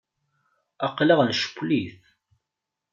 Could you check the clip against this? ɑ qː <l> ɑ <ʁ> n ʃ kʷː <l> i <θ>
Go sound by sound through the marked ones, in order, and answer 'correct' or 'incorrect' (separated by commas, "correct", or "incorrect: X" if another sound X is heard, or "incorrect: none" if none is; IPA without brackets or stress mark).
correct, correct, correct, correct